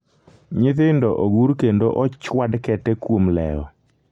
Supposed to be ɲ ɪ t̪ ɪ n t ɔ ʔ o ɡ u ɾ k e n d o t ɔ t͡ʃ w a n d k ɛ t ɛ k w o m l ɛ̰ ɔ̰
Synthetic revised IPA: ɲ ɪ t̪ ɪ n d ɔ ʔ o ɡ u ɾ k e n d o ʔ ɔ t͡ʃ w a d k ɛ t ɛ k w o m l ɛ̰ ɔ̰